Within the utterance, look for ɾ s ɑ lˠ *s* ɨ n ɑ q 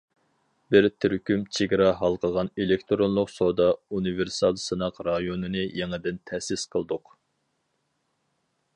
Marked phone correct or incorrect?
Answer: correct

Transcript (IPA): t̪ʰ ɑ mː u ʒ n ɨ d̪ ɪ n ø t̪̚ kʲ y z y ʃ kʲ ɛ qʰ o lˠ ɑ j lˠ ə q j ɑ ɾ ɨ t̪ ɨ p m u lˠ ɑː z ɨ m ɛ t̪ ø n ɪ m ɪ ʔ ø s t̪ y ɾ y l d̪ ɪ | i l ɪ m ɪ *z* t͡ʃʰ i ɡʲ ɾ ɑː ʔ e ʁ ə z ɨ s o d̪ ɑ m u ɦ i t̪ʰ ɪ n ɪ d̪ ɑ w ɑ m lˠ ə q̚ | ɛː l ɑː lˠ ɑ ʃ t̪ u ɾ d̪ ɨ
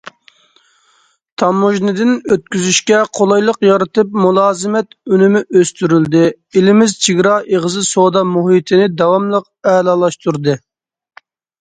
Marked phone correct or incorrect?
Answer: correct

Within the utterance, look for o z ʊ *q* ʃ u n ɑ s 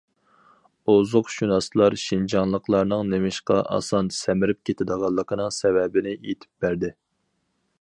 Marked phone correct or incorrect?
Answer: correct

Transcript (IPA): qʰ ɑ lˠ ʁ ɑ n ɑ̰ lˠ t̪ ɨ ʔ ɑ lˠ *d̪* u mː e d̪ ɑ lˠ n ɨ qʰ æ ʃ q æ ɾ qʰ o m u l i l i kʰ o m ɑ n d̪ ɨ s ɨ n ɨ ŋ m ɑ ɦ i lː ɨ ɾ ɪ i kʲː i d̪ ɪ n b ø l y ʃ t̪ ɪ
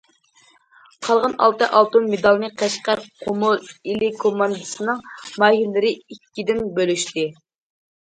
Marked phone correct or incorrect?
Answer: incorrect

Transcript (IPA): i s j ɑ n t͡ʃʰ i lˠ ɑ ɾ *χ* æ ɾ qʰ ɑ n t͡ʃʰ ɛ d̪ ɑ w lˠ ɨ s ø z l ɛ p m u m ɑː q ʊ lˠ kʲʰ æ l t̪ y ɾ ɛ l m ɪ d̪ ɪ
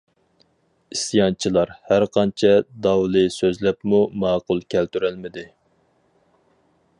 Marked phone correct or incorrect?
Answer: incorrect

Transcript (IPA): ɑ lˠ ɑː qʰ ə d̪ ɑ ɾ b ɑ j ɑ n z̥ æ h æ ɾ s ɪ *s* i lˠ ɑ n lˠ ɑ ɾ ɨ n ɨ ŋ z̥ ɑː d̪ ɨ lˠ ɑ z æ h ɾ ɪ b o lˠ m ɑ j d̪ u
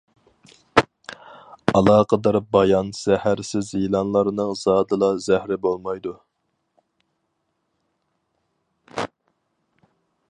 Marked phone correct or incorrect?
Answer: incorrect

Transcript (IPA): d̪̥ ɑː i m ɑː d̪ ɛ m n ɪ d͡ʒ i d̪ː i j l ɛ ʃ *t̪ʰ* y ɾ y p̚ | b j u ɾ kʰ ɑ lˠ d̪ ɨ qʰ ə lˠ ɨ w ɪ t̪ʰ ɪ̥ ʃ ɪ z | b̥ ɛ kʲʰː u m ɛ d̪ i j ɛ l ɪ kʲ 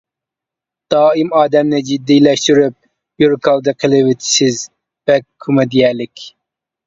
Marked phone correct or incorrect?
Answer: incorrect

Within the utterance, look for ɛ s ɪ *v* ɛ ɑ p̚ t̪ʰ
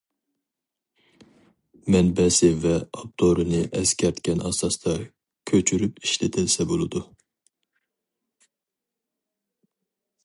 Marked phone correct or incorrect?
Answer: correct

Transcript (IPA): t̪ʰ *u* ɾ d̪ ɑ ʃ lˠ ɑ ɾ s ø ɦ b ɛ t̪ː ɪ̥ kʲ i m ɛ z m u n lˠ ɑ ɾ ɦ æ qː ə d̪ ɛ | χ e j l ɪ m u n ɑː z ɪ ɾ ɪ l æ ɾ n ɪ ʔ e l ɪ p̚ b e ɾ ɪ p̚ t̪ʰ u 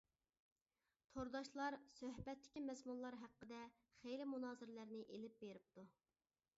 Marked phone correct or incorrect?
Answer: incorrect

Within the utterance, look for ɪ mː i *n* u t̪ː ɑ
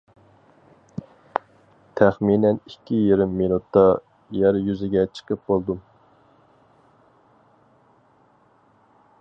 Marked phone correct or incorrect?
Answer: correct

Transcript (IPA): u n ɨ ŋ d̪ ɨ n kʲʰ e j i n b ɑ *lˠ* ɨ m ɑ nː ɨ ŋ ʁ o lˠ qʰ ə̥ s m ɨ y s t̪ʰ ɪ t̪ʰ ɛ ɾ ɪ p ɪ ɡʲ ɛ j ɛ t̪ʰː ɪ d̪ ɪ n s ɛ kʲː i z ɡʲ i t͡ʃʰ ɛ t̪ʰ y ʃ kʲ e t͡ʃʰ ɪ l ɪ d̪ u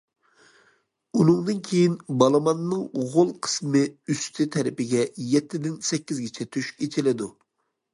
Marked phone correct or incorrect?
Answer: correct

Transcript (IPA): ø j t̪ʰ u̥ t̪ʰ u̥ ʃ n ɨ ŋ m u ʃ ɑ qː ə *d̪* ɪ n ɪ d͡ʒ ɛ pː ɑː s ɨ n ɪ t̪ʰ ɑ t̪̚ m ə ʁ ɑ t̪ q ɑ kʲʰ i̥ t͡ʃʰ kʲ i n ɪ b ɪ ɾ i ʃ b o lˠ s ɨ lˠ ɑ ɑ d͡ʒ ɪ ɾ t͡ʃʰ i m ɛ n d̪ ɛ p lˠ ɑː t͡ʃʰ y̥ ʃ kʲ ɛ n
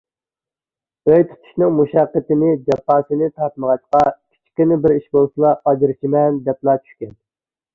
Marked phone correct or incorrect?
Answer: incorrect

